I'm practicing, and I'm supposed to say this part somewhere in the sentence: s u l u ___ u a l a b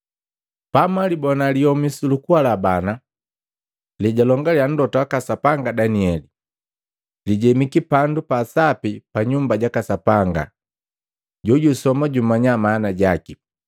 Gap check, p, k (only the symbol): k